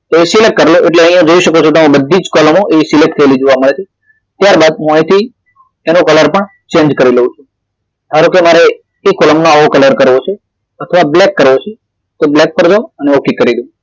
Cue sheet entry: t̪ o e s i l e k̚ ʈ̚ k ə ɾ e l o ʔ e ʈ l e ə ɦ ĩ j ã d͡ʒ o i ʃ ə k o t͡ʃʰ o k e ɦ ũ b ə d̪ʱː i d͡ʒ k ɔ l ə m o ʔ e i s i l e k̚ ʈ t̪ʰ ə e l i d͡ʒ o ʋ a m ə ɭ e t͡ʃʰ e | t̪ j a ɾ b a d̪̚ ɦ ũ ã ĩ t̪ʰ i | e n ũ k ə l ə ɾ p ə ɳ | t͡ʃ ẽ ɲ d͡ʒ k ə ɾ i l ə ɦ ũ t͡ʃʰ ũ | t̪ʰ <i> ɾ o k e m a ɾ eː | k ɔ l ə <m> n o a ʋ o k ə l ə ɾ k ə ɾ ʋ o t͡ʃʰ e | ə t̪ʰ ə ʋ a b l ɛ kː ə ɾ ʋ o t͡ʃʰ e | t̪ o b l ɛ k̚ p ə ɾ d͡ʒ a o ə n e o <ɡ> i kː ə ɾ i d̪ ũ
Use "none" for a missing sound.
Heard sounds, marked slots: a, m, k

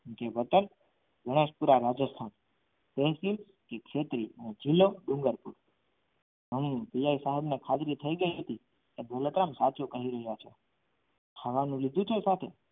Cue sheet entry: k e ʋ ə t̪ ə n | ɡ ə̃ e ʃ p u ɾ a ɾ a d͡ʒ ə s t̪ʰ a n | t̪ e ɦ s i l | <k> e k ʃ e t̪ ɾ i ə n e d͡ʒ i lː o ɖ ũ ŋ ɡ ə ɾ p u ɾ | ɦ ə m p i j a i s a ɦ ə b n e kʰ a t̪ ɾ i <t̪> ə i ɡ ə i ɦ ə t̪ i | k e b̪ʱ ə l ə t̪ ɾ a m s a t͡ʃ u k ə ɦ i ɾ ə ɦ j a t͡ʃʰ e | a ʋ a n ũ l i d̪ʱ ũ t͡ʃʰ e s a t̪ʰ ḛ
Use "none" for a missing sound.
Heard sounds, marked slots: k, t̪ʰ

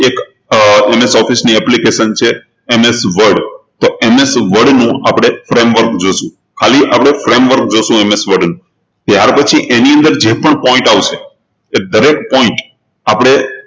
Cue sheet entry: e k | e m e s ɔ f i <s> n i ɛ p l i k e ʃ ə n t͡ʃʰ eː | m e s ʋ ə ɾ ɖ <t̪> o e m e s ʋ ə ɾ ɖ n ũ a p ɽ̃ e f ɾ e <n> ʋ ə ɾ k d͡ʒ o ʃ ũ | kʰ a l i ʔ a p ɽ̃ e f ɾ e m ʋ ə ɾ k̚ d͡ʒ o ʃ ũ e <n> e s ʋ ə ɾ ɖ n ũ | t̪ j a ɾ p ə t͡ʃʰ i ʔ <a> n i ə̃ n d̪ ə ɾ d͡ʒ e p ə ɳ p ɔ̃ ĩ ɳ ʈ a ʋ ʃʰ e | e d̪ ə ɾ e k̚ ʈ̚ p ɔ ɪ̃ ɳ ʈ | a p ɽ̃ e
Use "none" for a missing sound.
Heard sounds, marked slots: s, t̪, m, m, e

